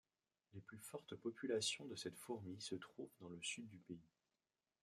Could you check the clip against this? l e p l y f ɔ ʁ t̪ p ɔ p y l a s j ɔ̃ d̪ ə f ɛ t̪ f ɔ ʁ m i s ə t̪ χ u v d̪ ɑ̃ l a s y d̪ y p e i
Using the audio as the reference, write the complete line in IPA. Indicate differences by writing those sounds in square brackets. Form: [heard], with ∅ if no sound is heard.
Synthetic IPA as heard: l e p l y f ɔ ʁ t̪ p ɔ p y l a s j ɔ̃ d̪ ə [s] ɛ t̪ f [u] ʁ m i s ə t̪ χ u v d̪ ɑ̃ l [ə] s y [d̪ː] y p e i

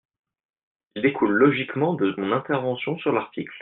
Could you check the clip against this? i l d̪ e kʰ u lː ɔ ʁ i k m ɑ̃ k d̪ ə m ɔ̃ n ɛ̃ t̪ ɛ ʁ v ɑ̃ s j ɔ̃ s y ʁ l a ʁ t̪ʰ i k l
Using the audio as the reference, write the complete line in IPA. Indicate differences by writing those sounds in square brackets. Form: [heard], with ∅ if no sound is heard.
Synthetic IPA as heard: i l d̪ e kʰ u lː ɔ [ʒ] i k m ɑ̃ [∅] d̪ ə m ɔ̃ n ɛ̃ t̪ ɛ ʁ v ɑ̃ s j ɔ̃ s y ʁ l a ʁ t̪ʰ i k l

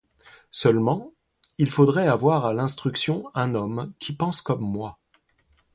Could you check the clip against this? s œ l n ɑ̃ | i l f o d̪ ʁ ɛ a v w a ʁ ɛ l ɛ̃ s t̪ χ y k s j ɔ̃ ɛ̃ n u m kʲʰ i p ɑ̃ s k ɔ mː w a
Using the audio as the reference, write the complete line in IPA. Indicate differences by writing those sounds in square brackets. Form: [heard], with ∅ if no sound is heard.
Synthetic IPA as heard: s œ l [m] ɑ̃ | i l f o d̪ ʁ ɛ a v w a ʁ [a] l ɛ̃ s t̪ χ y k s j ɔ̃ ɛ̃ n [ɔ] m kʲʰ i p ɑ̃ s k ɔ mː w a

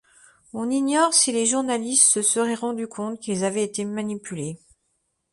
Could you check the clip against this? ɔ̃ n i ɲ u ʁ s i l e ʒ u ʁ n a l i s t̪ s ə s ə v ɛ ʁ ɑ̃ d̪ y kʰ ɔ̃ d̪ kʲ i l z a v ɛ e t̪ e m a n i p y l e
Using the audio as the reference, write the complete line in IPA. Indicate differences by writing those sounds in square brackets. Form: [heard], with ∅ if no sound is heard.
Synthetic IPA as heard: ɔ̃ n i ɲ [ɔ] ʁ s i l e ʒ u ʁ n a l i s t̪ s ə s ə [ʁ] ɛ ʁ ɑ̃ d̪ y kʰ ɔ̃ [t̪] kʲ i l z a v ɛ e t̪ e m a n i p y l e

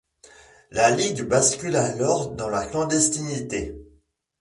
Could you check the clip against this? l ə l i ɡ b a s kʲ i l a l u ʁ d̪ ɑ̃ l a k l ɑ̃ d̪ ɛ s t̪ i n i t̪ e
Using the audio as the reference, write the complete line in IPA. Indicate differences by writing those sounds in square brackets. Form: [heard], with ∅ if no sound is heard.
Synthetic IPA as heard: l [a] l i ɡ b a s kʲ [y] l a l [ɔ] ʁ d̪ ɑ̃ l a k l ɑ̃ d̪ ɛ s t̪ i n i t̪ e

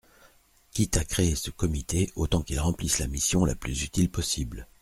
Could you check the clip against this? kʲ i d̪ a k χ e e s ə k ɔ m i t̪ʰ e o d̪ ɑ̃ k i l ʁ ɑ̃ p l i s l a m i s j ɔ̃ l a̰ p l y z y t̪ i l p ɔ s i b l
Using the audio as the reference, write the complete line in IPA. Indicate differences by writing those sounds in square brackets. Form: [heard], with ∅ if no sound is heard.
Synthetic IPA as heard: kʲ i [t̪] a k χ e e s ə k ɔ m i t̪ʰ e o [t̪] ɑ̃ k i l ʁ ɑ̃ p l i s l a m i s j ɔ̃ l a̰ p l y z y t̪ i l p ɔ s i b l

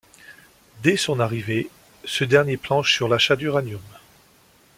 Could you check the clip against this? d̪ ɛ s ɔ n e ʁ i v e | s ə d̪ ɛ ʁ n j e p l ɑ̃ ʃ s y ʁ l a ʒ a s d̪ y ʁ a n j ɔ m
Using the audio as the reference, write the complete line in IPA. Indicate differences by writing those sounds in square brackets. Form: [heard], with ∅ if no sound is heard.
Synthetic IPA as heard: d̪ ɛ s [ɔ̃] n [a] ʁ i v e | s ə d̪ ɛ ʁ n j e p l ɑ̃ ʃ s y ʁ l a [ʃ] a [∅] d̪ y ʁ a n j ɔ m

